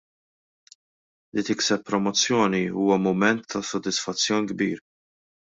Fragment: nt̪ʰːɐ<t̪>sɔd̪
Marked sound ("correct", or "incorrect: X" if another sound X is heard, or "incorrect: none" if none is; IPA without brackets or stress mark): incorrect: none